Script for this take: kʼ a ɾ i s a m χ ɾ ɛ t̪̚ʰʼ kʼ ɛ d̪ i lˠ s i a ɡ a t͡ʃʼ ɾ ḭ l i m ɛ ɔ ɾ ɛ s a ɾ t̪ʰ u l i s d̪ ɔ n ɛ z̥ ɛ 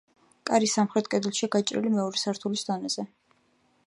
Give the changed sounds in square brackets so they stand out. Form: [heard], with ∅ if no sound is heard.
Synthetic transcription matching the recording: kʼ a ɾ i s a m χ ɾ ɛ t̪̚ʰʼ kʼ ɛ d̪ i lˠ [ʃ] i a ɡ a t͡ʃʼ ɾ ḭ l i m ɛ ɔ ɾ ɛ s a ɾ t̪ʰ u l i s d̪ ɔ n ɛ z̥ ɛ

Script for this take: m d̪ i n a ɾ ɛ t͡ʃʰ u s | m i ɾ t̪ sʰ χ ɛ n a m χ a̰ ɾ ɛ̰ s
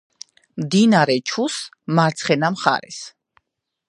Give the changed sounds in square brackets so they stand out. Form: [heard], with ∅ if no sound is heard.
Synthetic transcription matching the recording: m d̪ i n a ɾ ɛ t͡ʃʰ u s | m [a] ɾ t̪ sʰ χ ɛ n a m χ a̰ ɾ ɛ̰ s

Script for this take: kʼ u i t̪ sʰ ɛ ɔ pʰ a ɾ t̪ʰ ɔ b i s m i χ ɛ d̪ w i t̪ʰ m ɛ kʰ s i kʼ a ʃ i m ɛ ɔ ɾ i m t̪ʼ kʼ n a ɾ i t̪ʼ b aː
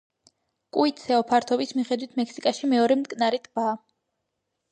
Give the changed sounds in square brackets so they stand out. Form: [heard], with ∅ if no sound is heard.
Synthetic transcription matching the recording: kʼ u i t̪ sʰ ɛ ɔ pʰ a ɾ t̪ʰ ɔ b i s m i χ ɛ d̪ w i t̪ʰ m ɛ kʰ s i kʼ a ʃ i m ɛ ɔ ɾ [ɛ] m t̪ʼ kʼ n a ɾ i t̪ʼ b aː

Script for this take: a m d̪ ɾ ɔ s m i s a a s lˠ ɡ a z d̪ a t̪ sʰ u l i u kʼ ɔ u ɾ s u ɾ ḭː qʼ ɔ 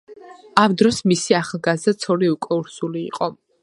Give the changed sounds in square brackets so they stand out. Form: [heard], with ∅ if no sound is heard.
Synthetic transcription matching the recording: a m d̪ ɾ ɔ s m i s [i] a [χ] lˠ ɡ a z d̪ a t̪ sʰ [ɔ] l i u kʼ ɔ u ɾ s u [l] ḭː qʼ ɔ

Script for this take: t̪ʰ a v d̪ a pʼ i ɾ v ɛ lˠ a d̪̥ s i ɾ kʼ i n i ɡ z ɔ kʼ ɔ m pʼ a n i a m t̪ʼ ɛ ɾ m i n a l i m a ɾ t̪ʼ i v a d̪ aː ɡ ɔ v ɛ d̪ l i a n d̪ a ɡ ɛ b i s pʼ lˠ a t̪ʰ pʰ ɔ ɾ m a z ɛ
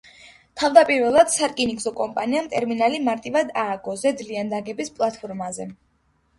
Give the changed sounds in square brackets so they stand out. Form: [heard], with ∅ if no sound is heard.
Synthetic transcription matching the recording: t̪ʰ a v d̪ a pʼ i ɾ v ɛ lˠ a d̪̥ s [a] ɾ kʼ i n i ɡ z ɔ kʼ ɔ m pʼ a n i a m t̪ʼ ɛ ɾ m i n a l i m a ɾ t̪ʼ i v a d̪ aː ɡ ɔ [z] ɛ d̪ l i a n d̪ a ɡ ɛ b i s pʼ lˠ a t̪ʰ pʰ ɔ ɾ m a z ɛ

